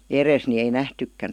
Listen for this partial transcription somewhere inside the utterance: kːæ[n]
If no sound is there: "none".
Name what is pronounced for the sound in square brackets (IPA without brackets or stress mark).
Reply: n